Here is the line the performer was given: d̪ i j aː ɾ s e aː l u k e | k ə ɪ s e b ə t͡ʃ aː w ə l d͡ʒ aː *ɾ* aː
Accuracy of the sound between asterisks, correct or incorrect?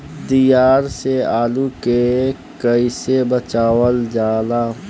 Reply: incorrect